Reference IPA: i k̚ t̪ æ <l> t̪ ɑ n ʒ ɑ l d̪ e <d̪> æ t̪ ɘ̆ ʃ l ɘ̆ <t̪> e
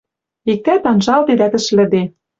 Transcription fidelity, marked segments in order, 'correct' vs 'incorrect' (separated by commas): incorrect, correct, incorrect